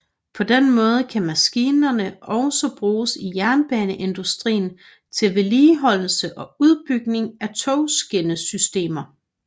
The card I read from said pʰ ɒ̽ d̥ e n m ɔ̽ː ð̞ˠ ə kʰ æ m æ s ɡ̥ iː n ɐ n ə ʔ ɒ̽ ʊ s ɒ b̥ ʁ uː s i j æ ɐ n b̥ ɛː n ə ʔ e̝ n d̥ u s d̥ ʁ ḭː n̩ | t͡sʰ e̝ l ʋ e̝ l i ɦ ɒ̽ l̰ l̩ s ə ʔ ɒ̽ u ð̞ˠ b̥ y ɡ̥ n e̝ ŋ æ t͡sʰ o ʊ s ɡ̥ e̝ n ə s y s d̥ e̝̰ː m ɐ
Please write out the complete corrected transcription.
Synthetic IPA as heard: pʰ ɒ̽ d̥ e n m ɔ̽ː ð̞ˠ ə kʰ æ m æ s ɡ̥ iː n ɐ n ə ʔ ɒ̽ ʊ s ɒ b̥ ʁ uː s i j æ ɐ n b̥ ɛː n ə ʔ e̝ n d̥ u s d̥ ʁ ḭː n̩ | t͡sʰ e̝ l ʋ e̝ l iː ɦ ɒ̽ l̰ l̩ s ə ʔ ɒ̽ u ð̞ˠ b̥ y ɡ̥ n e̝ ŋ æ t͡sʰ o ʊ s ɡ̥ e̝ n ə s y s d̥ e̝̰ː m ɐ